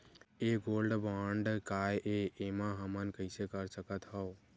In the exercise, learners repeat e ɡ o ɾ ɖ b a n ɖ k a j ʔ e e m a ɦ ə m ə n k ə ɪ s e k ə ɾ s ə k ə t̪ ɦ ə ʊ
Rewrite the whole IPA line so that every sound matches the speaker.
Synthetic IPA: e ɡ o l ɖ b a ɳ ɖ k a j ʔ e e m a ɦ ə m ə n k ə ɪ s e k ə ɾ s ə k ə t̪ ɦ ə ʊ